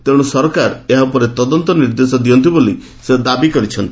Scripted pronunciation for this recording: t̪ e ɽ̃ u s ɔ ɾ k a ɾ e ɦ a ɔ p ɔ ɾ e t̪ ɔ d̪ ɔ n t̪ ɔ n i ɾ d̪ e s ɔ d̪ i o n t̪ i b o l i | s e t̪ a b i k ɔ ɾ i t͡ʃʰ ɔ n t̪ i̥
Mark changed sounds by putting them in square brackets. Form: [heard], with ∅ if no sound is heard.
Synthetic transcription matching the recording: t̪ e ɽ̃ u s ɔ ɾ k a ɾ e ɦ a [u] p ɔ ɾ e t̪ ɔ d̪ ɔ n t̪ ɔ n i ɾ d̪ e s ɔ d̪ i [ɔ] n t̪ i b o l i | s e [d̪] a b i k ɔ ɾ i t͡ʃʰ ɔ n t̪ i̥